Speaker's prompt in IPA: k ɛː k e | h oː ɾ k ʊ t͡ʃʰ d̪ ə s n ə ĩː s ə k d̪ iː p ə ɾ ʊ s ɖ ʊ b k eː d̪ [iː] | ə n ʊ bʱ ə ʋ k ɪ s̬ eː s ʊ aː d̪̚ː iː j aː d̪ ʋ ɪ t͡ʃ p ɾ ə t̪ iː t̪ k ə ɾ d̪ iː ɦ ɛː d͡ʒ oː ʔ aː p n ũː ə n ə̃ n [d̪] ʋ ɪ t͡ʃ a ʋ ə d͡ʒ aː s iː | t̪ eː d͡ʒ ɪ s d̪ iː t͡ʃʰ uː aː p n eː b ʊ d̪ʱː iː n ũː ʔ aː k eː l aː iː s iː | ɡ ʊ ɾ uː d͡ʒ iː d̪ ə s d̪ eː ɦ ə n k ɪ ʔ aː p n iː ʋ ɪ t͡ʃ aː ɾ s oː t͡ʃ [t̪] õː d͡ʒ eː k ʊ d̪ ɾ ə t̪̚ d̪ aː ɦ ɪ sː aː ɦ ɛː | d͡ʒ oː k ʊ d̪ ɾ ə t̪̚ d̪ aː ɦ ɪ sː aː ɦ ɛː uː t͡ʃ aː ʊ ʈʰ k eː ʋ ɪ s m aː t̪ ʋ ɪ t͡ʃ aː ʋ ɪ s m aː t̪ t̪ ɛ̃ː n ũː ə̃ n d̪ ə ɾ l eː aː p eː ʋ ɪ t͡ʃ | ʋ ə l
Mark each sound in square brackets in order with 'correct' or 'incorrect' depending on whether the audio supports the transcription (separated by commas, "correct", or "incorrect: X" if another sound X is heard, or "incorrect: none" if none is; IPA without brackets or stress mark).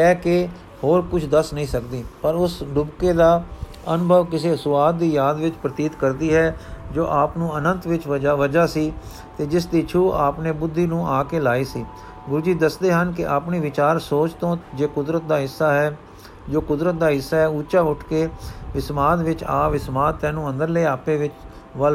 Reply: incorrect: aː, incorrect: t̪, correct